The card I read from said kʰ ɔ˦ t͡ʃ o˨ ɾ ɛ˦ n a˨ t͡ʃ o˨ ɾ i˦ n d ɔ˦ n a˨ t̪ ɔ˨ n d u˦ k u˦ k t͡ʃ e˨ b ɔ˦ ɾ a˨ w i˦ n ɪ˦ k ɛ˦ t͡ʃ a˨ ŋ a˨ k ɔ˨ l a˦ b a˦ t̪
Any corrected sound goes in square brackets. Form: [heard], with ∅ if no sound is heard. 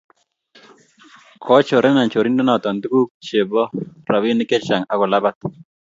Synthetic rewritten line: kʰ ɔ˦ t͡ʃ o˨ ɾ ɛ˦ n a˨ t͡ʃ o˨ ɾ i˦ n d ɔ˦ n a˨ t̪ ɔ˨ n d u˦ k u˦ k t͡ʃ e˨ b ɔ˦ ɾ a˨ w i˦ n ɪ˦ k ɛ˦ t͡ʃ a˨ ŋ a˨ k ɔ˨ l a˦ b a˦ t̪